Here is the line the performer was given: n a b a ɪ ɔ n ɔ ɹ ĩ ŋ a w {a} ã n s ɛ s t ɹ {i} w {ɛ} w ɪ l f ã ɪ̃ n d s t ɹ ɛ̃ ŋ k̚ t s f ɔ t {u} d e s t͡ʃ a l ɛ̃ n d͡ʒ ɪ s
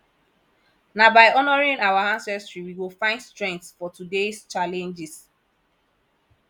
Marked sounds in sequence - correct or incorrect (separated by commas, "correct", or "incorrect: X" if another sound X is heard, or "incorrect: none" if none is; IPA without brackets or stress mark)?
correct, correct, incorrect: i, correct